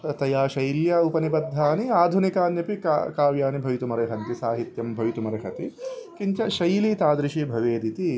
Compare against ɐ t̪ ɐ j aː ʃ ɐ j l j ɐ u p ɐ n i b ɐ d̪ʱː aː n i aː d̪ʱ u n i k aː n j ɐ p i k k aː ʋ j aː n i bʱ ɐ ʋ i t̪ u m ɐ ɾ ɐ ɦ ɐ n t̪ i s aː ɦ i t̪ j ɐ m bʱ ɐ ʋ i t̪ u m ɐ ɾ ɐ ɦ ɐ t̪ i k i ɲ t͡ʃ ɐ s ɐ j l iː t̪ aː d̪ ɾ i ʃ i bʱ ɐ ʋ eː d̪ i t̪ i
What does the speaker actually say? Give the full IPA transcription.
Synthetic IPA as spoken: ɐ t̪ ɐ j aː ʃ ɐ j l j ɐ u p ɐ n i b ɐ d̪ʱː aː n i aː d̪ʱ u n i k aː n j ɐ p i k k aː ʋ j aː n i bʱ ɐ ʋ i t̪ u m ɐ ɾ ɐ ɦ ɐ n t̪ i s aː ɦ i t̪ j ɐ m bʱ ɐ ʋ i t̪ u m ɐ ɾ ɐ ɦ ɐ t̪ i k i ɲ t͡ʃ ɐ ʃ ɐ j l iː t̪ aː d̪ ɾ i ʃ i bʱ ɐ ʋ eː d̪ i t̪ i